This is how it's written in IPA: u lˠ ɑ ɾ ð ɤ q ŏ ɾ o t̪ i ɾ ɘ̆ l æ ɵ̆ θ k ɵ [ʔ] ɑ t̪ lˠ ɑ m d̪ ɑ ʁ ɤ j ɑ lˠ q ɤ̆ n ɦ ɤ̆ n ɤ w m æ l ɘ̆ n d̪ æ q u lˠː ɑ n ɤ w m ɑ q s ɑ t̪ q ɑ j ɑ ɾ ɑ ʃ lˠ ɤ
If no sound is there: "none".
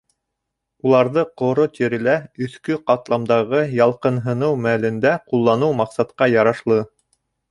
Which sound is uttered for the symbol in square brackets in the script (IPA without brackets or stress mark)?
q